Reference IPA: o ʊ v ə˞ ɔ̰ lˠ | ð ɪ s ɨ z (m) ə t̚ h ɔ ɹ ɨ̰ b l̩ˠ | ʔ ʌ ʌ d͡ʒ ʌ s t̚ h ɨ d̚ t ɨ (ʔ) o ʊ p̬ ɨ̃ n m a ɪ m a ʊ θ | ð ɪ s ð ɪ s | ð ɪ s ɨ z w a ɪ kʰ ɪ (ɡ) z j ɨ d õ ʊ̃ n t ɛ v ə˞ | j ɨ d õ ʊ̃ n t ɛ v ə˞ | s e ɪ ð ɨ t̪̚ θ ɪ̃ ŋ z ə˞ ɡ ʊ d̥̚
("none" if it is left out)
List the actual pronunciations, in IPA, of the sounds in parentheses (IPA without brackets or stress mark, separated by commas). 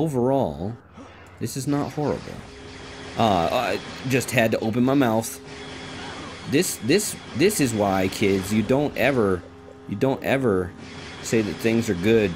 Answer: n, ʔ, d